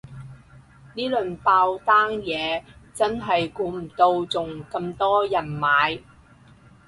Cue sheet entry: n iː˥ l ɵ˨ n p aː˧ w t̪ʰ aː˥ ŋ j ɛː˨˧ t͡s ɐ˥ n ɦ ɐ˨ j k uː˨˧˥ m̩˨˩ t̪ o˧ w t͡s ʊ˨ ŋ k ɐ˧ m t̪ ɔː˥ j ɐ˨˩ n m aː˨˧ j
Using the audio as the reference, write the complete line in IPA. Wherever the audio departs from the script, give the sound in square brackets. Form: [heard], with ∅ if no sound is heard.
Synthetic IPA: n iː˥ l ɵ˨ n p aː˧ w [t̪] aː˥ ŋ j ɛː˨˧ t͡s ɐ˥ n ɦ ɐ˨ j k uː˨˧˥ m̩˨˩ t̪ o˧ w t͡s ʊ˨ ŋ k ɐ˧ m t̪ ɔː˥ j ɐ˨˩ n m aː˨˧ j